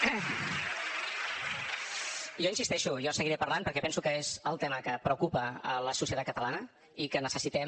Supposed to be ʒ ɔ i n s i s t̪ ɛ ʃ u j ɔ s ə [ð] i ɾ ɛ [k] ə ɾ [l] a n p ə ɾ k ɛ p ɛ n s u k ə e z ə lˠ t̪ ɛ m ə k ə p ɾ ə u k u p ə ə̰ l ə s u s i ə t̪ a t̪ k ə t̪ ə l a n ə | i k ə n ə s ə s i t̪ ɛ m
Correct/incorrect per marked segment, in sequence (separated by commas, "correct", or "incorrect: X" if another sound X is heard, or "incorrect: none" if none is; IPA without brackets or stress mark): incorrect: ɣ, incorrect: p, correct